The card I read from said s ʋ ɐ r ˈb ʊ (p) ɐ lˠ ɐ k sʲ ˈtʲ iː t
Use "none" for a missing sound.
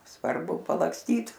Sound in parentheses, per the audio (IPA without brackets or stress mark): p